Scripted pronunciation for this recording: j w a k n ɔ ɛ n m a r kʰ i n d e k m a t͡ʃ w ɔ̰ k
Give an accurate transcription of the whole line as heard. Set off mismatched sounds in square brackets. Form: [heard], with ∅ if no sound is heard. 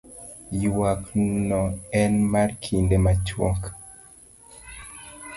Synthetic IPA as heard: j w a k n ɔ ɛ n m a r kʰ i n d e [∅] m a t͡ʃ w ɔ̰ k